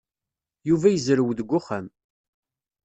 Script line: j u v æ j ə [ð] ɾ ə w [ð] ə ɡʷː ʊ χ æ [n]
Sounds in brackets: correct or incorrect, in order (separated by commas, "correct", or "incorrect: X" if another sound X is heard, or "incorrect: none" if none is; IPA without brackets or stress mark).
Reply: incorrect: z, correct, incorrect: m